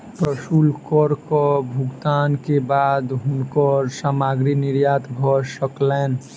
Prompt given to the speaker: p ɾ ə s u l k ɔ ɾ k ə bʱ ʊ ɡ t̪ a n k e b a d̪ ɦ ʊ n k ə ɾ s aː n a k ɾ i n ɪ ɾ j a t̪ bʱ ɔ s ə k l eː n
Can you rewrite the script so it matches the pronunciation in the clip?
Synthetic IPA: p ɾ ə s u l k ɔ ɾ k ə bʱ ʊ ɡ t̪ a n k e b a d̪ ɦ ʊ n k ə ɾ s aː m a ɡ ɾ i n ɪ ɾ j a t̪ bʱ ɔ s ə k l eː n